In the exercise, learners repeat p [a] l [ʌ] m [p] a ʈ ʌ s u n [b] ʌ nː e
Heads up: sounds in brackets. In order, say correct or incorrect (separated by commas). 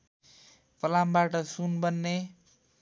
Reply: incorrect, incorrect, incorrect, correct